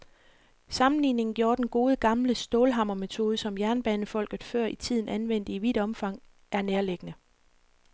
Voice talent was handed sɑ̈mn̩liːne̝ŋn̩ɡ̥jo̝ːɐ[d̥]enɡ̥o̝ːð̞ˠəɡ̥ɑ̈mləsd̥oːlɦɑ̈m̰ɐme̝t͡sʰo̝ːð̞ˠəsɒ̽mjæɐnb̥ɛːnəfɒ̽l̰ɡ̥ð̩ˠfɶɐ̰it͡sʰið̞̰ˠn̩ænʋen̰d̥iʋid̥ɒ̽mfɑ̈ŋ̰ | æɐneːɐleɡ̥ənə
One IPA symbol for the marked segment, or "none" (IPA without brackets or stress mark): d̥